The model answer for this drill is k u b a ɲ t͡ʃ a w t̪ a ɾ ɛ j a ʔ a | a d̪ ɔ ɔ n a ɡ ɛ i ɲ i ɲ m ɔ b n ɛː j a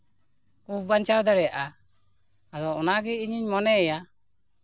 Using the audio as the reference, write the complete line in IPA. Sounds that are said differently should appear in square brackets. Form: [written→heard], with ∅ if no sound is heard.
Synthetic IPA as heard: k u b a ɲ t͡ʃ a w [t̪→d̪] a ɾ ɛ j a ʔ a | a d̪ ɔ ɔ n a ɡ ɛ i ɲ i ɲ m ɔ [b→∅] n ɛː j a